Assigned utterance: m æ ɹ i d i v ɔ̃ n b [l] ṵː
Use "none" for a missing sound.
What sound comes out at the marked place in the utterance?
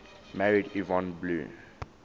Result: l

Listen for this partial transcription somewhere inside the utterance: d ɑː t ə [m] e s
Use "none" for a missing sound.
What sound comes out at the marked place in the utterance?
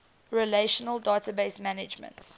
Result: b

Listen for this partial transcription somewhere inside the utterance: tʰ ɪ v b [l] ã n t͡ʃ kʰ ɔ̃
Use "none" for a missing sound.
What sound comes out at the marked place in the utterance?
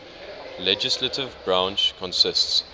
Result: ɹ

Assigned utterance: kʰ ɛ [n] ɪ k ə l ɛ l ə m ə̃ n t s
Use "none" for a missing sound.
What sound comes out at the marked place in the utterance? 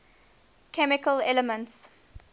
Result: m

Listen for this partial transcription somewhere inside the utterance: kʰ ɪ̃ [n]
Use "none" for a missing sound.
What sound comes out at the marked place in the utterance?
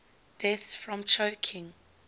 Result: ŋ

